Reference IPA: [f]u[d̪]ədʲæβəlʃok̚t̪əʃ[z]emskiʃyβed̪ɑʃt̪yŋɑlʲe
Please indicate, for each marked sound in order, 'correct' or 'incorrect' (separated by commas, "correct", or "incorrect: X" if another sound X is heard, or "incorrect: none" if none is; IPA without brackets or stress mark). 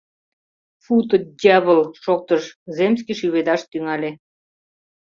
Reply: correct, incorrect: t̪, correct